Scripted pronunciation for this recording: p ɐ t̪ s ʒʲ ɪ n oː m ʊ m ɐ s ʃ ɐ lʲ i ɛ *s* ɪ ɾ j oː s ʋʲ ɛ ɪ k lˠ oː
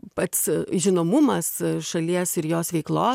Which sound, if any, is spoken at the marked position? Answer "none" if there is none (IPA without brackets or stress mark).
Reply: s